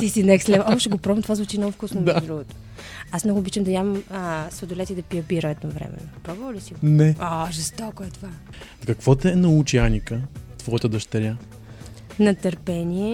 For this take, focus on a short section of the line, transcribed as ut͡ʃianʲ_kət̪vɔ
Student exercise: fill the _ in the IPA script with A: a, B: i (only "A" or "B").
B